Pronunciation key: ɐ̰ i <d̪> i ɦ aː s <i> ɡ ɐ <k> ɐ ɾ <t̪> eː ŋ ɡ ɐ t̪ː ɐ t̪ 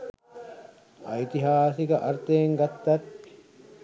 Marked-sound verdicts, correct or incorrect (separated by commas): incorrect, correct, incorrect, correct